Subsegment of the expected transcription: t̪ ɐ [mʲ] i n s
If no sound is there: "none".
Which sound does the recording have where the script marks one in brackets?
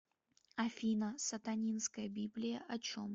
nʲ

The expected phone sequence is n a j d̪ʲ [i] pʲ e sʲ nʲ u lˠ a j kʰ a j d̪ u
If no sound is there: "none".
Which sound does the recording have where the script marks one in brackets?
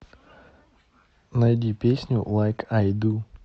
i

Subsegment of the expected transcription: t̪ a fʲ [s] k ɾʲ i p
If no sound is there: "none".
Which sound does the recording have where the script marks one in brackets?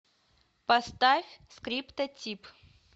s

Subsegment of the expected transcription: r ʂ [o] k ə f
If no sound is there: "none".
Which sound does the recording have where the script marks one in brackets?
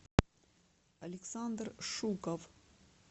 u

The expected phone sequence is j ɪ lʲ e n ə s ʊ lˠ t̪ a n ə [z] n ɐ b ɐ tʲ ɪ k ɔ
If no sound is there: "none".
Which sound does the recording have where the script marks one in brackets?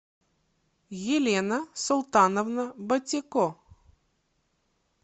v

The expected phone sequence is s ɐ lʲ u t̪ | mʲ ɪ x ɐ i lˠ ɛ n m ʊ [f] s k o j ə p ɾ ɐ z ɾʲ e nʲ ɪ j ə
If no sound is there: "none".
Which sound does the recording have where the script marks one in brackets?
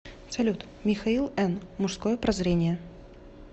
ʂ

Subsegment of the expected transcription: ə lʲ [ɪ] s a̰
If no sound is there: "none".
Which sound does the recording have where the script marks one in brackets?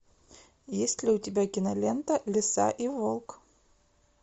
ɪ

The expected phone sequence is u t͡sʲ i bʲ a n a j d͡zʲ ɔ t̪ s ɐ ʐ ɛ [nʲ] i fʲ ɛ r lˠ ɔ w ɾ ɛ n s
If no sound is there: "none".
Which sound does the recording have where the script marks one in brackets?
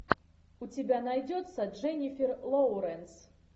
nʲ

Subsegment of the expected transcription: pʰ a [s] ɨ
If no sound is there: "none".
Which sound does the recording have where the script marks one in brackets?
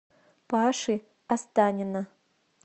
ʂ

